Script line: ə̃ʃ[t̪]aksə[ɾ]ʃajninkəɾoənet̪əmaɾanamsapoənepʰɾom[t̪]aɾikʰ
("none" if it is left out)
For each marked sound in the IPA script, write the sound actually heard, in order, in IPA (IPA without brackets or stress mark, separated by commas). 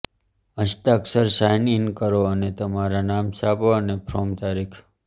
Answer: t̪, ɾ, t̪